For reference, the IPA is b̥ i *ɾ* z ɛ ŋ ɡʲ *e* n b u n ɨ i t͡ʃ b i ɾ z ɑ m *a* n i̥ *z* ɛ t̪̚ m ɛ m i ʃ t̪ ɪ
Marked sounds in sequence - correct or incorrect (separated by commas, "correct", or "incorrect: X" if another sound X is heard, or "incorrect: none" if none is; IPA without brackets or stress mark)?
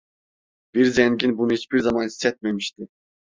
correct, incorrect: i, incorrect: ɑ, incorrect: s